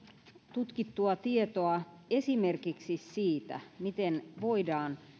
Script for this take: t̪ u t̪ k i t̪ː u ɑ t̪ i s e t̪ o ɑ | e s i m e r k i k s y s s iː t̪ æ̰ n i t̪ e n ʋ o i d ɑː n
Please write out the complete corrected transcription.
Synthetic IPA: t̪ u t̪ k i t̪ː u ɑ t̪ i e t̪ o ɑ | e s i m e r k i k s i s s iː t̪ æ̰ m i t̪ e n ʋ o i d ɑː n